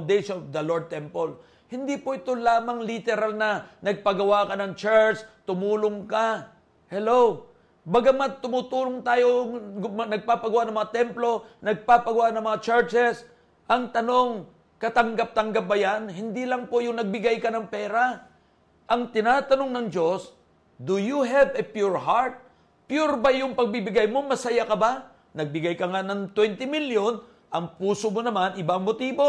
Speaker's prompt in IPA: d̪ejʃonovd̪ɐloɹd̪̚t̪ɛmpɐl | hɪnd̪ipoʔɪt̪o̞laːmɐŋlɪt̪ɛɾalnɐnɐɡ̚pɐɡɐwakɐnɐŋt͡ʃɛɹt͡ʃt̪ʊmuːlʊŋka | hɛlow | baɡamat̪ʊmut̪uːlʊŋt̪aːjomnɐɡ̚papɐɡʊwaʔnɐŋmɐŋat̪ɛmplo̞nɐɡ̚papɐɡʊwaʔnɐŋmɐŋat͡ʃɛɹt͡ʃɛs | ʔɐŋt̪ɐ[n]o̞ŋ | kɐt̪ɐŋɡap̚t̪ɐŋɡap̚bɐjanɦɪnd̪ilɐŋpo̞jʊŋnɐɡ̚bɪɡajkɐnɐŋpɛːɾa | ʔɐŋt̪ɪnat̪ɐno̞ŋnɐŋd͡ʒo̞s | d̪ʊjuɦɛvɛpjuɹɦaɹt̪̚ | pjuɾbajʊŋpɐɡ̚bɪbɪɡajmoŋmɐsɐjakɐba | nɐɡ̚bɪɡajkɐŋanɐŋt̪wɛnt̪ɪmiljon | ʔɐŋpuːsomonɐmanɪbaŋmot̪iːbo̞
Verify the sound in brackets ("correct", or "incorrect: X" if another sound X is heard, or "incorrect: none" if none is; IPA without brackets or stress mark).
correct